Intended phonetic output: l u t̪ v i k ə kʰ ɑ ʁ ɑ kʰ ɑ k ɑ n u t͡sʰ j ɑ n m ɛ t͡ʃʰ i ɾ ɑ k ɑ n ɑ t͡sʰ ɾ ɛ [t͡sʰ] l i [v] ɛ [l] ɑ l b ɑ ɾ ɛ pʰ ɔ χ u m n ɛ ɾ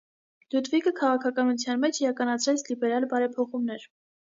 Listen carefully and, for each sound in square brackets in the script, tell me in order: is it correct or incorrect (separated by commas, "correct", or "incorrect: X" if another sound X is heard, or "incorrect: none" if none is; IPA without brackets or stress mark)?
correct, incorrect: b, incorrect: ɾ